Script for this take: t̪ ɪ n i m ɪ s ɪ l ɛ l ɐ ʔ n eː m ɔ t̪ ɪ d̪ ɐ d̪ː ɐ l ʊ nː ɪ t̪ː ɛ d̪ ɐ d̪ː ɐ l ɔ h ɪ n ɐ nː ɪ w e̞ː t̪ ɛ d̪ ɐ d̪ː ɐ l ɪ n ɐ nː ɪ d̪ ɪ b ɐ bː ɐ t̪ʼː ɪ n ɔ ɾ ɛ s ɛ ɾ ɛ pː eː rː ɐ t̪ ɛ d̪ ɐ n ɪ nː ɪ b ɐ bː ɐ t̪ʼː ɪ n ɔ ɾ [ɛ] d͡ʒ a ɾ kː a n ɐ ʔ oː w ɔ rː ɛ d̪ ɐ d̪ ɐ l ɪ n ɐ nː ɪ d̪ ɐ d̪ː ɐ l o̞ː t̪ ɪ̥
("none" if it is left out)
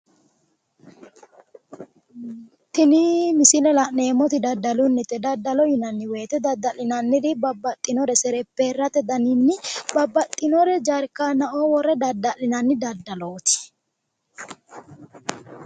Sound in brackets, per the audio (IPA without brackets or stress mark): ɛ